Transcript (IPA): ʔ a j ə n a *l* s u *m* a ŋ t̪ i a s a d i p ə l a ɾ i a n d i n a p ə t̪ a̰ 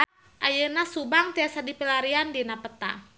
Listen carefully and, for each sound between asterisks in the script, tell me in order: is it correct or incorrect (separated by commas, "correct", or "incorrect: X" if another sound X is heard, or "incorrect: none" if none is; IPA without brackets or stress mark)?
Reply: incorrect: none, incorrect: b